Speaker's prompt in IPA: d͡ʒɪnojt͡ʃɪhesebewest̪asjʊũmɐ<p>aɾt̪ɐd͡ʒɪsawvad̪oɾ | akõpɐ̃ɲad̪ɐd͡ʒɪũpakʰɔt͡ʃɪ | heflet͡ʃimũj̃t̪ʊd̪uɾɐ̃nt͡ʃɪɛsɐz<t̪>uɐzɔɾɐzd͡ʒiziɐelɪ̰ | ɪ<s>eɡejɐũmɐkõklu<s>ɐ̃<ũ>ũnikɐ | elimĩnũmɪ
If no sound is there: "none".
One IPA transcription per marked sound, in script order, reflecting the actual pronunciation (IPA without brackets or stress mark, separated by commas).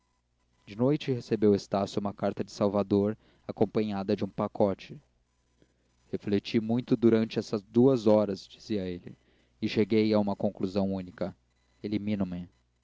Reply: k, d̪, ʃ, z, w̃